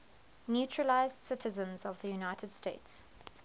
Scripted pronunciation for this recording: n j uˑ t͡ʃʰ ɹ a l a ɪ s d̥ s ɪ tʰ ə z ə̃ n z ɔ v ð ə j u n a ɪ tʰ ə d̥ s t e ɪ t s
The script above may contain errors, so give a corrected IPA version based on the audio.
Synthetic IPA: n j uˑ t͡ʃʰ ɹ ə l a ɪ z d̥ s ɪ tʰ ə z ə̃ n z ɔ v ð ə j u n a ɪ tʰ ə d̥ s t e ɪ t s